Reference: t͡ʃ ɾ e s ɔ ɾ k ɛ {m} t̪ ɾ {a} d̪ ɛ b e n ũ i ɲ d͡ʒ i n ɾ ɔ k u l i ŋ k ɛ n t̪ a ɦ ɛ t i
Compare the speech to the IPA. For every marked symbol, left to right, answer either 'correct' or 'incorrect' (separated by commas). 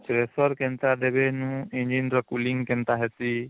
incorrect, correct